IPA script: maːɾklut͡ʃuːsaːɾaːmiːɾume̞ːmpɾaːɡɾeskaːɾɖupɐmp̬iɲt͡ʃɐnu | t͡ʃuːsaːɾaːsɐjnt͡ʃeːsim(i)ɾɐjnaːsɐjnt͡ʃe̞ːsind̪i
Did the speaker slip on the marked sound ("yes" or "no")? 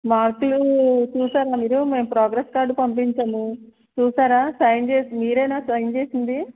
yes